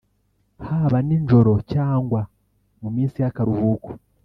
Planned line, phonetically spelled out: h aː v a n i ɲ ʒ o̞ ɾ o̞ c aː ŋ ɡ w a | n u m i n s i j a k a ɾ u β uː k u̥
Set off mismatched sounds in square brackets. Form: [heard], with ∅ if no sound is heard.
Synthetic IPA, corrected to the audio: h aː [β] a n i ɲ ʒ o̞ ɾ o̞ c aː ŋ ɡ w a | [m] u m [iː] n s i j a k a ɾ u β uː k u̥